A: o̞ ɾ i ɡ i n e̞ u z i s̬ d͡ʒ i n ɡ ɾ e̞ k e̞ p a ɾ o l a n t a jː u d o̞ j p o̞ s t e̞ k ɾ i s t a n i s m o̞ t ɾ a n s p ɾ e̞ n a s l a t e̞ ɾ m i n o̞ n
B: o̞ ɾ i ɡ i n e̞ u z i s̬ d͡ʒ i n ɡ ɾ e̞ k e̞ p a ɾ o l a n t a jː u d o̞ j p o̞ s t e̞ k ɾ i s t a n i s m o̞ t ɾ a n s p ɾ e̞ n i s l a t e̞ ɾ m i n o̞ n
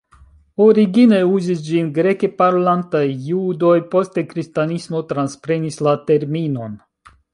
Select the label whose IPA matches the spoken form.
B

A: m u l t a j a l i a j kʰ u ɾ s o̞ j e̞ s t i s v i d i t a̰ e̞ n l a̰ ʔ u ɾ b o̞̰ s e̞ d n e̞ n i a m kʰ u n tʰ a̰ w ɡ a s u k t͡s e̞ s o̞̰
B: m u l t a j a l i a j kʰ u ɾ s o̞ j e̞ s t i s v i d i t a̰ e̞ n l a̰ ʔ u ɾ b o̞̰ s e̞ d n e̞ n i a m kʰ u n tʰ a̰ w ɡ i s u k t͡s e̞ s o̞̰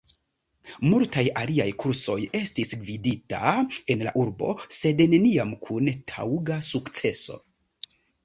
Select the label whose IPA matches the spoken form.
A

